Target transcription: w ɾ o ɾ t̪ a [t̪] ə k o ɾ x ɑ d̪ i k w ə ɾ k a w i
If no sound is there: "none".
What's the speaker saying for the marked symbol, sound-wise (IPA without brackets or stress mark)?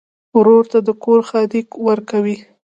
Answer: d̪